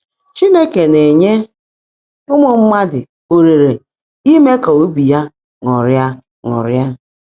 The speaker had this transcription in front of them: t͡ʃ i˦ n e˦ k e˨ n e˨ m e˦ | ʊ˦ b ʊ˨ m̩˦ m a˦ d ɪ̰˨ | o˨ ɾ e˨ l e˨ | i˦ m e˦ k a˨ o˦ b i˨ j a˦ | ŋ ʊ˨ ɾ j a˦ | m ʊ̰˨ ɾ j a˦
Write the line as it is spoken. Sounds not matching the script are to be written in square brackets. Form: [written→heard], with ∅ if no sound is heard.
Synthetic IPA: t͡ʃ i˦ n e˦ k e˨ n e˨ [m→ɲ] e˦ | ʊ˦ [b→m] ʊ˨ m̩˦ m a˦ d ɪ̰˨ | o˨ ɾ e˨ [l→ɾ] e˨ | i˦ m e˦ k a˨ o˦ b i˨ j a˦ | ŋ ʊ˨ ɾ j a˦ | [m→ŋ] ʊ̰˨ ɾ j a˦